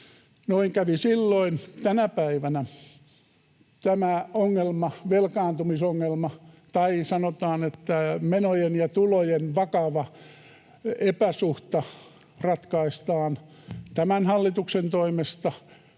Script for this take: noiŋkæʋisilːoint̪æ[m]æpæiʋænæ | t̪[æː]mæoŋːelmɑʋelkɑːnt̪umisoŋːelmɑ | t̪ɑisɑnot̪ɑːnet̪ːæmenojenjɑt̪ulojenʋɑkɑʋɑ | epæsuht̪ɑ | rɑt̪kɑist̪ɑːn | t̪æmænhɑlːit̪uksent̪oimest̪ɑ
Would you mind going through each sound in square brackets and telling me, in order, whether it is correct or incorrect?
incorrect, incorrect

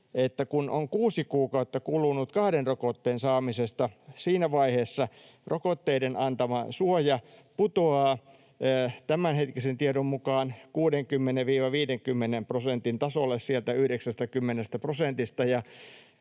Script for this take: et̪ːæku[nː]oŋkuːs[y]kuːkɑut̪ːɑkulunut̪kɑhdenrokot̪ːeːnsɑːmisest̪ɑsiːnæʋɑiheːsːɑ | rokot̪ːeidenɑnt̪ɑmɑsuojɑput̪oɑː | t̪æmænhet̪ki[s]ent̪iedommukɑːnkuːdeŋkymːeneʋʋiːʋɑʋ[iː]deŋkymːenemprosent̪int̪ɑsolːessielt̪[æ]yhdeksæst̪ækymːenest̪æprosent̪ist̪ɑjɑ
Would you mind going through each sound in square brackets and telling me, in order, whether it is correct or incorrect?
incorrect, incorrect, correct, correct, correct

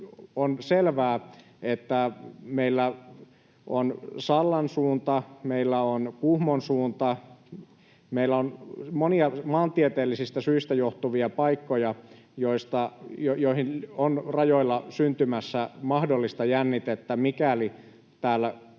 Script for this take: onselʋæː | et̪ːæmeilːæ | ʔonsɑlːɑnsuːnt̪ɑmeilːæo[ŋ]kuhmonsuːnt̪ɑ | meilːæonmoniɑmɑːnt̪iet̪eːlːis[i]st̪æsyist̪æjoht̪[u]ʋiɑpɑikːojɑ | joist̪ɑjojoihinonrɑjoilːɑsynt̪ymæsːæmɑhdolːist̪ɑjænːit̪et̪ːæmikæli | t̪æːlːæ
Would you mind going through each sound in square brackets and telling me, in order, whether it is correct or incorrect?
incorrect, correct, correct

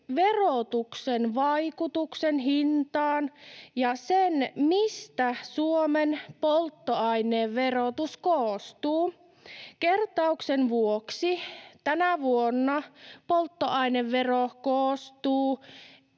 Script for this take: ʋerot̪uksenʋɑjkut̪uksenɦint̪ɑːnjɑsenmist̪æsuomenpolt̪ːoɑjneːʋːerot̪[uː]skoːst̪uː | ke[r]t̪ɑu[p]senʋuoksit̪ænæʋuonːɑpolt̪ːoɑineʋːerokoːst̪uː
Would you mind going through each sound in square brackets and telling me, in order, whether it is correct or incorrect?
incorrect, correct, incorrect

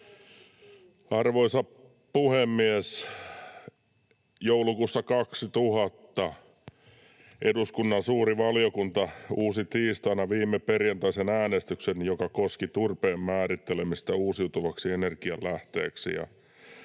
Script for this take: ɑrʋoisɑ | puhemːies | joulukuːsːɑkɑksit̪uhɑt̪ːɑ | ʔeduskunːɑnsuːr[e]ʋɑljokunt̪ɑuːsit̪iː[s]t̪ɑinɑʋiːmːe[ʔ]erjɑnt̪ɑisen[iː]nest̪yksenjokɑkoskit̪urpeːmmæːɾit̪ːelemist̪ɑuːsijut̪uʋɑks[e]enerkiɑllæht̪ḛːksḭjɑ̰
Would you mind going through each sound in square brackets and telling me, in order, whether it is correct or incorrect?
incorrect, correct, incorrect, incorrect, incorrect

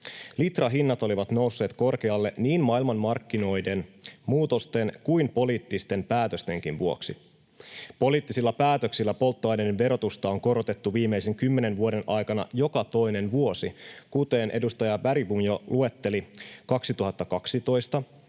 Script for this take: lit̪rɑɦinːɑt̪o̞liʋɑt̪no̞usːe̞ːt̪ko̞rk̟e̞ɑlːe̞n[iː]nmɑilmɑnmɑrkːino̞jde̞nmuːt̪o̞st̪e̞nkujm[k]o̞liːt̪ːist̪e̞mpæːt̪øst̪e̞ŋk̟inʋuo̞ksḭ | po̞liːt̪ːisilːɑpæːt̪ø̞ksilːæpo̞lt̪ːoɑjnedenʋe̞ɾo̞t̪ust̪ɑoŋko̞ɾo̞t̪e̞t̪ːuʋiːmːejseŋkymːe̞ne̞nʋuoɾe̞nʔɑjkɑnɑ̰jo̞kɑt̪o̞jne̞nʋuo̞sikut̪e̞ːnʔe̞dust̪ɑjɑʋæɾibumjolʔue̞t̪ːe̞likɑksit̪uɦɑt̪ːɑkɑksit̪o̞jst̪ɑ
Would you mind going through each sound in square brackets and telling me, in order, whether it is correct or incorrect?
correct, incorrect

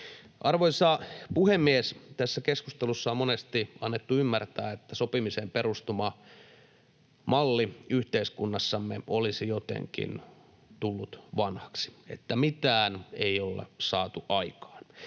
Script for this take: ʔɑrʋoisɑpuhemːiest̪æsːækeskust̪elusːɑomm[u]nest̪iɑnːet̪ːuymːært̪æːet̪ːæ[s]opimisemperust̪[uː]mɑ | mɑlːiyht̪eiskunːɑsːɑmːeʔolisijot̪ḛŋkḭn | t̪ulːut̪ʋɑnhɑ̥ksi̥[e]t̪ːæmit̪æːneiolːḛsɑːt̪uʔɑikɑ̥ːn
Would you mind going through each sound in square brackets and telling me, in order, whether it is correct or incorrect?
incorrect, correct, incorrect, correct

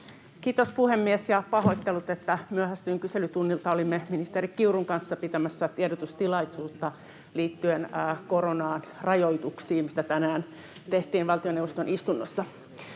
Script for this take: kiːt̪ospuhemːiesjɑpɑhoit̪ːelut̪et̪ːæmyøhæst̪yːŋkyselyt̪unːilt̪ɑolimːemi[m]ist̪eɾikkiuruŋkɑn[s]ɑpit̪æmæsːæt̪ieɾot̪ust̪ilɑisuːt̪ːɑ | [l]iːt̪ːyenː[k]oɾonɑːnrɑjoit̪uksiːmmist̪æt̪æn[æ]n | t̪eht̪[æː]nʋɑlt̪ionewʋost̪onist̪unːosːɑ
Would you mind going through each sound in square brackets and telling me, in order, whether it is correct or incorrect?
incorrect, incorrect, correct, correct, incorrect, incorrect

